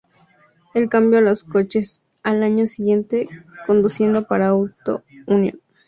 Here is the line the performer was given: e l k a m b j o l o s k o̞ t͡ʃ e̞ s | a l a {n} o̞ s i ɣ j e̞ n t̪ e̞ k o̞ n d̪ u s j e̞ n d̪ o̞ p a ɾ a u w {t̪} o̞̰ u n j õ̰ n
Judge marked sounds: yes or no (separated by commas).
no, yes